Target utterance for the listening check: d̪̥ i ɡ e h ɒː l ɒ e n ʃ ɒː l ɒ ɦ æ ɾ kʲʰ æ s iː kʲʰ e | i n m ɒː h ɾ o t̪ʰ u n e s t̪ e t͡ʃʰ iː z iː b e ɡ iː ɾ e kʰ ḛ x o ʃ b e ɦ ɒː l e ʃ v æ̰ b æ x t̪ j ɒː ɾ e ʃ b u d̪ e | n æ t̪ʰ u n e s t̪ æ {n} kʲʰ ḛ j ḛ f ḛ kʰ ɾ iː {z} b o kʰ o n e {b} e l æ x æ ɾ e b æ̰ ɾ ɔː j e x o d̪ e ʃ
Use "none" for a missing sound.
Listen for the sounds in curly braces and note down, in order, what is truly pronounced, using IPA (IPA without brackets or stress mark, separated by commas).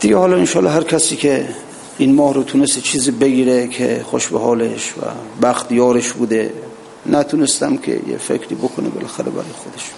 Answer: m, none, b